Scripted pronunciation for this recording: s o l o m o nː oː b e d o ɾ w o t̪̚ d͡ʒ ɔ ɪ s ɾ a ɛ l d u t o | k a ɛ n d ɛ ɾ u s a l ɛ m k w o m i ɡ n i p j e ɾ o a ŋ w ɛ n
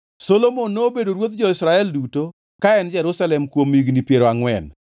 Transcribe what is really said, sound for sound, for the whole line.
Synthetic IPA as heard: s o l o m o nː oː b e d o ɾ w o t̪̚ d͡ʒ ɔ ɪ s ɾ a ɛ l d u t o | k a ɛ n d͡ʒ ɛ ɾ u s a l ɛ m k w o m i ɡ n i p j e ɾ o a ŋ w ɛ n